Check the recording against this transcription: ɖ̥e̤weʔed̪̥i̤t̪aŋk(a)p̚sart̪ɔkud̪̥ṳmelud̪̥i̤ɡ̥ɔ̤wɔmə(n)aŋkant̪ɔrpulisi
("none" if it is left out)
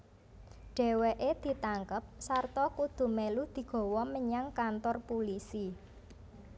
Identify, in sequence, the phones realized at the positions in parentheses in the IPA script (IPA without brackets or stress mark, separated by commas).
ə, ɲ